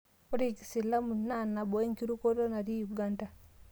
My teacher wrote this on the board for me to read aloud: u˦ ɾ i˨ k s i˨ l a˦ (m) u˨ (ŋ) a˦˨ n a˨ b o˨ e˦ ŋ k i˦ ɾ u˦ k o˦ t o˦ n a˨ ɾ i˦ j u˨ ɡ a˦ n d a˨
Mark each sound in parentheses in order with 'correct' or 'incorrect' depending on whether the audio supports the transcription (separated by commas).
correct, incorrect